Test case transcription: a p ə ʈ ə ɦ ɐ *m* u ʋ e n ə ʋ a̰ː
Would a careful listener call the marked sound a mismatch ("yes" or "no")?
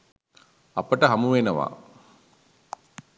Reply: no